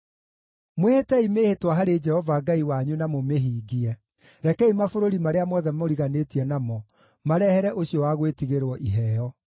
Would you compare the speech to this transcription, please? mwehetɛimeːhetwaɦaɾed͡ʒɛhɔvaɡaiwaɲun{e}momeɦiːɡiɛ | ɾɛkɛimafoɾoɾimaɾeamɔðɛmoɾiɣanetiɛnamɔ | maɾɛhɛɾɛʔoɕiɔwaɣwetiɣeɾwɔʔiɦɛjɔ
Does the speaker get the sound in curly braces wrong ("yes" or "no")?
yes